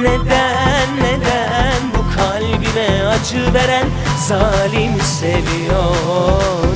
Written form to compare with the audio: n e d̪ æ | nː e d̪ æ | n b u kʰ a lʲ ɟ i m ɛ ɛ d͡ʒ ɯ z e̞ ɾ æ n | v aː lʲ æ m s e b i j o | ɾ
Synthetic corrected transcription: n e d̪ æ | nː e d̪ æ | n b u kʰ a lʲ b i m ɛ a d͡ʒ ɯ v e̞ ɾ æ n | z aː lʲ i m s e v i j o | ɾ